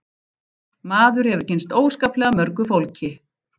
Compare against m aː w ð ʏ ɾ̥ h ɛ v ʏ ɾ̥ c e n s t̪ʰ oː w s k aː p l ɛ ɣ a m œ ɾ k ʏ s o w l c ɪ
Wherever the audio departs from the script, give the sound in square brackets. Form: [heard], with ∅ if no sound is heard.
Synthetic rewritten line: m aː [∅] ð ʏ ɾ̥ h ɛ v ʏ ɾ̥ c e n s [t̪] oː w s k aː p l ɛ ɣ a m œ ɾ k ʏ [f] o w l c ɪ